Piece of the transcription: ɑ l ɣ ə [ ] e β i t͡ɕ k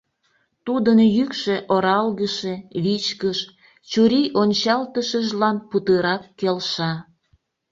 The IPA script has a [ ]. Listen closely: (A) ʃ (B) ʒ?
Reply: A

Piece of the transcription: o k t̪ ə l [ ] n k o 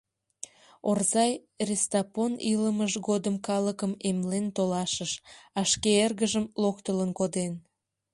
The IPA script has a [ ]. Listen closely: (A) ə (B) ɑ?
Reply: A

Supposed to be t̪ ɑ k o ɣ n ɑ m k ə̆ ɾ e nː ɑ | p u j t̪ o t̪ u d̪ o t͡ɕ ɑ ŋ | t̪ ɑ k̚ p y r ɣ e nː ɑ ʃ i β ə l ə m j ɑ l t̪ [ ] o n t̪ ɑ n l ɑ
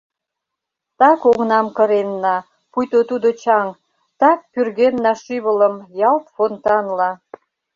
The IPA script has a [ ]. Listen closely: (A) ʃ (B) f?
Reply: B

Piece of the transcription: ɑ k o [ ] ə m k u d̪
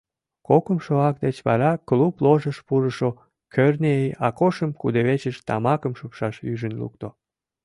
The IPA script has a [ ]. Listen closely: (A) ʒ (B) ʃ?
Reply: B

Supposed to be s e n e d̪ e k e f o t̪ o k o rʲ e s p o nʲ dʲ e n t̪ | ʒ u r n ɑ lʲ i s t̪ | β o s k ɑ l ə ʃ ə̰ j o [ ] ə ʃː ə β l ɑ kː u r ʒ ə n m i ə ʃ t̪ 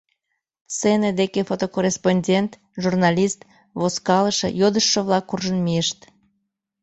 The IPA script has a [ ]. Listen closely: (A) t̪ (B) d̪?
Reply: B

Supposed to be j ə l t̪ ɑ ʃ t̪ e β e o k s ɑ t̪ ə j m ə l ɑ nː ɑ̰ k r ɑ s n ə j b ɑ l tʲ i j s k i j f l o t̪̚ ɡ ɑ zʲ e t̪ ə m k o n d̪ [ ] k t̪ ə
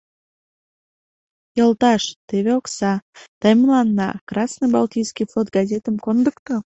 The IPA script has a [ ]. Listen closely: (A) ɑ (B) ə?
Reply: B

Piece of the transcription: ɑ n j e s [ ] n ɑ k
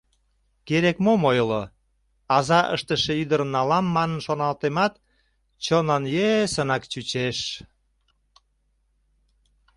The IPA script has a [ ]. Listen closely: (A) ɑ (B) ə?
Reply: B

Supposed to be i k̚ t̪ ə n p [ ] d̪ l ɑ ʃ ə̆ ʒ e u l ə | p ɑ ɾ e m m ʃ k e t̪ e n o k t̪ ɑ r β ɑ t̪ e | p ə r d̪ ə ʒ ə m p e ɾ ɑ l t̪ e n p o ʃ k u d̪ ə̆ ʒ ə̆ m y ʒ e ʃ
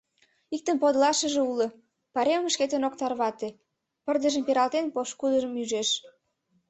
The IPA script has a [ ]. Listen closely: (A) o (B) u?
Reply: A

